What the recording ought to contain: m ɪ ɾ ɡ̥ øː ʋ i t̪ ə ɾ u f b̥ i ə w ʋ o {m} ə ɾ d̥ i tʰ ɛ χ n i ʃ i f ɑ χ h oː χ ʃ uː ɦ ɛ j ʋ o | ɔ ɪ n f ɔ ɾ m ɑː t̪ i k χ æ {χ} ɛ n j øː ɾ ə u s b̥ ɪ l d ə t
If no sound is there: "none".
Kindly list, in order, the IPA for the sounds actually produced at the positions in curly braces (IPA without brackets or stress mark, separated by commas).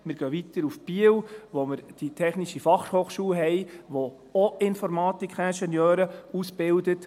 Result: m, ʃ